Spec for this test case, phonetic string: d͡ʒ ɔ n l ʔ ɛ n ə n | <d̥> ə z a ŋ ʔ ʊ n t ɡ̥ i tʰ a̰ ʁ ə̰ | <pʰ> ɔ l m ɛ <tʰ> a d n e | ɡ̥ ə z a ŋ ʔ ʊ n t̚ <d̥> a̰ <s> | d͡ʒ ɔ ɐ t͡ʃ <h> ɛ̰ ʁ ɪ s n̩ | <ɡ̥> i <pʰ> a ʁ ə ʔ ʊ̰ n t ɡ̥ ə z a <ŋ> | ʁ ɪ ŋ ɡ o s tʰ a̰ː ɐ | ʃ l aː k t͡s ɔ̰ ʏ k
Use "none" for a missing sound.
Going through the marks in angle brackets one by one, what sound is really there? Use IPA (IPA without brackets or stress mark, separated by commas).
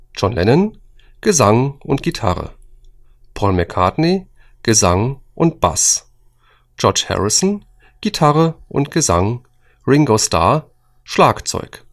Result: ɡ̥, pʰ, kʰ, b̥, s, h, ɡ̥, tʰ, ŋ